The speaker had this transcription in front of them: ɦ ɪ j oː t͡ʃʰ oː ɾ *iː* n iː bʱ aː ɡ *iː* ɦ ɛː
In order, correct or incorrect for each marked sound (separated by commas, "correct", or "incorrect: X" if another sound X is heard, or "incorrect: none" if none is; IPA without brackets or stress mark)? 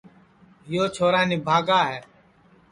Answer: incorrect: aː, incorrect: aː